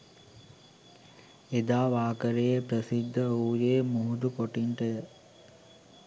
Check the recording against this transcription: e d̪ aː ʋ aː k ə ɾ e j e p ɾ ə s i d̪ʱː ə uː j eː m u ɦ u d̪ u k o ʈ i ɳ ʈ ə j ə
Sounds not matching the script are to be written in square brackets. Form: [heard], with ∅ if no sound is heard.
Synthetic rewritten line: e d̪ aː ʋ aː k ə ɾ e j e p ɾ ə s i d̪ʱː ə uː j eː m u ɦ u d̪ u k o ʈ i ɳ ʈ ə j ə